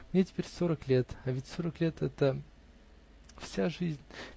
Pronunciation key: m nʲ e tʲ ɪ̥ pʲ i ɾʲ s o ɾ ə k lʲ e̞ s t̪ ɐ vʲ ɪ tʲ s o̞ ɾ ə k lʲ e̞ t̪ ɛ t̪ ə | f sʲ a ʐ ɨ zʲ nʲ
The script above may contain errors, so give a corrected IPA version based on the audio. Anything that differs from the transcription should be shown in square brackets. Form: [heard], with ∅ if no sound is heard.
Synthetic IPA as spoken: m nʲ e tʲ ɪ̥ pʲ [e] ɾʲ s o ɾ ə k lʲ e̞ [∅] t̪ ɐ vʲ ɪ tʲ s o̞ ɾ ə k lʲ e̞ t̪ ɛ t̪ ə | f sʲ a ʐ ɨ zʲ nʲ

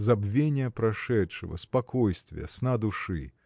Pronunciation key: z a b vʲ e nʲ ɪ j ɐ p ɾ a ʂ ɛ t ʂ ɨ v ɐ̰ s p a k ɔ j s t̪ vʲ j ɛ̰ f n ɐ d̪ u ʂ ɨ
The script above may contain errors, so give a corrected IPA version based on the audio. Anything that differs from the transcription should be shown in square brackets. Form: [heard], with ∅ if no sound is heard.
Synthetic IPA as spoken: z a b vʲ e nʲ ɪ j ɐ p ɾ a ʂ ɛ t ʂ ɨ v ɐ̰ s p a k ɔ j s t̪ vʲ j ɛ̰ [s] n [a] d̪ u ʂ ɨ

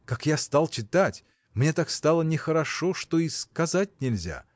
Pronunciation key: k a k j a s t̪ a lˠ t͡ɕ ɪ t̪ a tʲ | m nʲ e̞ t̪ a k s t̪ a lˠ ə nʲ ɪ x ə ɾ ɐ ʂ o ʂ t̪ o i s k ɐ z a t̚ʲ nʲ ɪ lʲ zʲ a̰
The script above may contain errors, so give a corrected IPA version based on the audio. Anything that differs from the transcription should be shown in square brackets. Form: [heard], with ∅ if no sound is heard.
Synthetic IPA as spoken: k a k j a s t̪ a lˠ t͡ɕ ɪ t̪ a tʲ | m nʲ e̞ t̪ a k s t̪ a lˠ ə nʲ ɪ x ə ɾ ɐ ʂ o ʂ t̪ o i s k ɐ z a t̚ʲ nʲ ɪ lʲ zʲ a̰

